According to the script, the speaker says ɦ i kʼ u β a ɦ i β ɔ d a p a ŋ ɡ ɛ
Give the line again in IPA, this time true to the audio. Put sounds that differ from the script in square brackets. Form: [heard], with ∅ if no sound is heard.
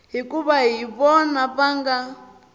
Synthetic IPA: ɦ i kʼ u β a ɦ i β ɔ [n] a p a ŋ ɡ [a]